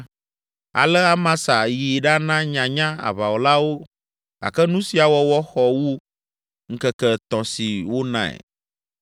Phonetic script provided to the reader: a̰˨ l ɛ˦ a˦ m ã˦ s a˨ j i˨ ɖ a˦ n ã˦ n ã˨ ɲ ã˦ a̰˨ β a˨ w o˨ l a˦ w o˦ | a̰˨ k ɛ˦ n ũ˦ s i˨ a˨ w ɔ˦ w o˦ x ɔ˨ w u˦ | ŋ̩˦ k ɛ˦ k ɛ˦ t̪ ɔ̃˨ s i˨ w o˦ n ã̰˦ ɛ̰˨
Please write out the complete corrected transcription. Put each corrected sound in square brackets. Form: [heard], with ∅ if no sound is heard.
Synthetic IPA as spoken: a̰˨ l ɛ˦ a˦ m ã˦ s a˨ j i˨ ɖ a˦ n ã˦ [ɲ] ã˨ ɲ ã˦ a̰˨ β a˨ w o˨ l a˦ w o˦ | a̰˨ k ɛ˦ n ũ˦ s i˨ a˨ w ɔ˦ w [ɔ˦] x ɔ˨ w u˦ | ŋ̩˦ k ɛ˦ k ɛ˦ t̪ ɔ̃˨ s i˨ w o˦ n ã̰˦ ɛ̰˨